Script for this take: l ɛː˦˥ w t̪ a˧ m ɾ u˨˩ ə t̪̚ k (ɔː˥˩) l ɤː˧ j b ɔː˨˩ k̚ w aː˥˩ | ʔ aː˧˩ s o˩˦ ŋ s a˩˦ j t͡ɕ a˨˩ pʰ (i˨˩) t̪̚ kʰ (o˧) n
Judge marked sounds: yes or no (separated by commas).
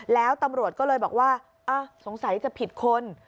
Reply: yes, yes, yes